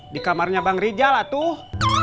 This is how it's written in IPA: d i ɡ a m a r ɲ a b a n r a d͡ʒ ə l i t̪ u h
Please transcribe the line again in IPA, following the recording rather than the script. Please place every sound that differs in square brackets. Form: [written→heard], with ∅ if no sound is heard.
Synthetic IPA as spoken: d i [ɡ→k] a m a r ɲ a b a [n→ŋ] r [a→i] d͡ʒ [ə→a] l [i→a] t̪ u h